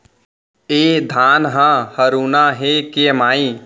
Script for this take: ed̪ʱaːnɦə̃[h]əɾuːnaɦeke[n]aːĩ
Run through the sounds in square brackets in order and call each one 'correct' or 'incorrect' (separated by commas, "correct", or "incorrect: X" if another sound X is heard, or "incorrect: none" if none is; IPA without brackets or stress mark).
correct, incorrect: m